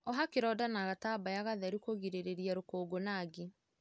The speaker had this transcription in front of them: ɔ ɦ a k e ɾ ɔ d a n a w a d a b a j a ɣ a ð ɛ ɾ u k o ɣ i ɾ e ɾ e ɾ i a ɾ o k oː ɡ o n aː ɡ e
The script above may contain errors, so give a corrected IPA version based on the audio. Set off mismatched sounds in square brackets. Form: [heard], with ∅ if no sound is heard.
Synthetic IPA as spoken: ɔ ɦ a k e ɾ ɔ d a n a [ɣ] a [t] a b a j a ɣ a ð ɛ ɾ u k o ɣ i ɾ e ɾ e ɾ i a ɾ o k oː ɡ o n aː ɡ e